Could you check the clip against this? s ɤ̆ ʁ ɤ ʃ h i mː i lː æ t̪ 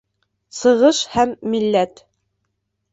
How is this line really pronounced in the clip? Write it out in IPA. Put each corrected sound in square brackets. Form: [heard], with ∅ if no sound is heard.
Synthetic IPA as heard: s ɤ̆ ʁ ɤ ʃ h [æ] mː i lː æ t̪